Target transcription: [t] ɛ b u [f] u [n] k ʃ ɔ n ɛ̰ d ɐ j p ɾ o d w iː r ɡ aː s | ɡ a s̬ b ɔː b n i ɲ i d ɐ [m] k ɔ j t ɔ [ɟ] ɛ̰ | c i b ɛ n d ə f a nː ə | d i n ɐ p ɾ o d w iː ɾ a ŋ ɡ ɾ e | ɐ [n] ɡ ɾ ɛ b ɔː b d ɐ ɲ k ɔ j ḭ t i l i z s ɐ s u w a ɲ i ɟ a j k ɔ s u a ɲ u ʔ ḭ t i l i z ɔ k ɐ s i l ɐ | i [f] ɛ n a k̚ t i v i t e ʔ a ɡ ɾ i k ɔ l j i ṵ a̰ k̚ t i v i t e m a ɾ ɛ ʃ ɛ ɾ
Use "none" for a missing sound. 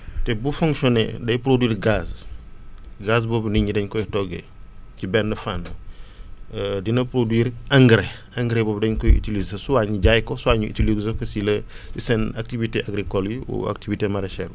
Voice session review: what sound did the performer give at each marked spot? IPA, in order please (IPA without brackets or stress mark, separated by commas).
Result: t, f, ŋ, ɲ, ɡ, ŋ, s